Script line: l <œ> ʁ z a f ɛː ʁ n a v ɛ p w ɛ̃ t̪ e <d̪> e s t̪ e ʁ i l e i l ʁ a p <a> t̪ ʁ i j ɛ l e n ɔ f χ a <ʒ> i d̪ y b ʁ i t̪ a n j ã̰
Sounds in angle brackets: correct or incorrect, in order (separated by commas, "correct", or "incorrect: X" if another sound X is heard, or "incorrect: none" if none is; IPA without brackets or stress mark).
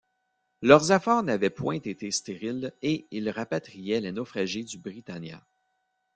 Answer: correct, incorrect: t̪, correct, correct